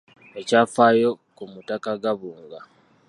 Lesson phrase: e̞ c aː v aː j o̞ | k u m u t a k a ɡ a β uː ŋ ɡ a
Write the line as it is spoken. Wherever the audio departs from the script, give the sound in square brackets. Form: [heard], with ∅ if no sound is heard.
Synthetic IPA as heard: e̞ c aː [f] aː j o̞ | k u m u t a k a ɡ a β uː ŋ ɡ a